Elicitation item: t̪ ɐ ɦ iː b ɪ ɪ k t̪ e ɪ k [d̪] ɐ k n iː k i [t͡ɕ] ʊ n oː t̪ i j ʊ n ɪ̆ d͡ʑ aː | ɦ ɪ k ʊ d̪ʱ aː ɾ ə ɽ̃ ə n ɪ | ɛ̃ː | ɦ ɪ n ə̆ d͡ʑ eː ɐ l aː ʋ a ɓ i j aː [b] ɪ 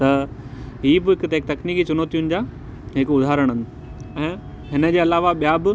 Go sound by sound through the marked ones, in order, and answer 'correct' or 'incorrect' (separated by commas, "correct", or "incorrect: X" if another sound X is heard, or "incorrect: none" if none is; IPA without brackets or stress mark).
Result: incorrect: t̪, correct, correct